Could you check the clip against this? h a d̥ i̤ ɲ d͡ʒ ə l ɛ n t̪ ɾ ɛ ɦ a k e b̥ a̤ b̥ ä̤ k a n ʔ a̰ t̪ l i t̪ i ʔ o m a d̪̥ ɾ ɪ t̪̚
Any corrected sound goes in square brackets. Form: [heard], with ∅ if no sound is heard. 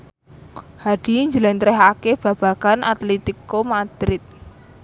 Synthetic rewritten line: h a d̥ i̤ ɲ d͡ʒ ə l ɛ n t̪ ɾ ɛ ɦ a k e b̥ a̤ b̥ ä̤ k a n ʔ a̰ t̪ l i t̪ i [k] o m a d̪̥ ɾ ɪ t̪̚